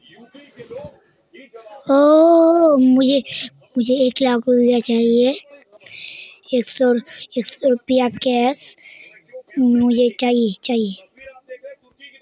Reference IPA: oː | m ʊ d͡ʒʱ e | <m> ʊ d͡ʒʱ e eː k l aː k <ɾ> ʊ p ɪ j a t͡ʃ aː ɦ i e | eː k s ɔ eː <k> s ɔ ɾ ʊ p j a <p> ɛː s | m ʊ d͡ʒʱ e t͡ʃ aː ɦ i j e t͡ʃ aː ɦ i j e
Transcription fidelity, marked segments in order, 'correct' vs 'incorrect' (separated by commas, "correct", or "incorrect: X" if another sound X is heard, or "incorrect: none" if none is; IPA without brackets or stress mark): correct, correct, correct, incorrect: k